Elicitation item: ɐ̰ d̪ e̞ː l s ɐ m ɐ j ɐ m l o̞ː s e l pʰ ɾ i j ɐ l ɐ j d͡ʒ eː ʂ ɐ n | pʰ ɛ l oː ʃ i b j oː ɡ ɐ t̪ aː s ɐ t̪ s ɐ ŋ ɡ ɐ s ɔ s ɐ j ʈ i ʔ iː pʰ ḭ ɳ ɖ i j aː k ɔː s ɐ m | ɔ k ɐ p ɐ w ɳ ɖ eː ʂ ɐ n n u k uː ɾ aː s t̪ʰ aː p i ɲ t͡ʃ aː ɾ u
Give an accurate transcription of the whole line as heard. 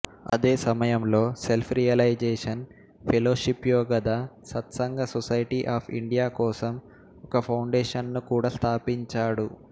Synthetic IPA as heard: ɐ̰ d̪ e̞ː s ɐ m ɐ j ɐ m l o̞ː s e l pʰ ɾ i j ɐ l ɐ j d͡ʒ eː ʂ ɐ n | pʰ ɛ l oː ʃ i p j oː ɡ ɐ d̪ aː s ɐ t̪ s ɐ ŋ ɡ ɐ s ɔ s ɐ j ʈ i ʔ aː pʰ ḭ ɳ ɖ i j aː k ɔː s ɐ m | ɔ k ɐ pʰ ɐ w ɳ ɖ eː ʂ ɐ n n u k uː ɽ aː s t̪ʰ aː p i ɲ t͡ʃ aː ɽ u